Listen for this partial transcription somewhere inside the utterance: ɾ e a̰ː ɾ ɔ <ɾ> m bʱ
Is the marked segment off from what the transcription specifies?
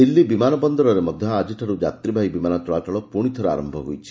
yes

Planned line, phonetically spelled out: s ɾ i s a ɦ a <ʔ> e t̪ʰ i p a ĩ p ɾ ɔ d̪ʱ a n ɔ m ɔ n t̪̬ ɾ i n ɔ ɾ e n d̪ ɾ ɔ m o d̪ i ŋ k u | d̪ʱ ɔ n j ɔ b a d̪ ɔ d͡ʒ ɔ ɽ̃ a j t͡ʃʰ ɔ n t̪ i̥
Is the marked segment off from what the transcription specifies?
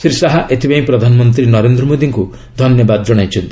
no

